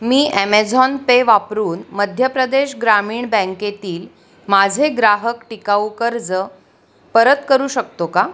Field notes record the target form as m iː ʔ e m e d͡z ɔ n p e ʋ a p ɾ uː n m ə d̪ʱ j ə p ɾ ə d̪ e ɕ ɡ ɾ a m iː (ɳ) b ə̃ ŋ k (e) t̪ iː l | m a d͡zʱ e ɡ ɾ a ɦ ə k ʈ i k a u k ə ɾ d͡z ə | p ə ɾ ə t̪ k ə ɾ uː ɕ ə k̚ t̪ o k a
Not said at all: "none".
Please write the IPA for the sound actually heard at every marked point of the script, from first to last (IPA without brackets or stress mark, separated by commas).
ɳ, e